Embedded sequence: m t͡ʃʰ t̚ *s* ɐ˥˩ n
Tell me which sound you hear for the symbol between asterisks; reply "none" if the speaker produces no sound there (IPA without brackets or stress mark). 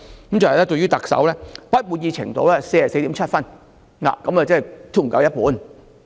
f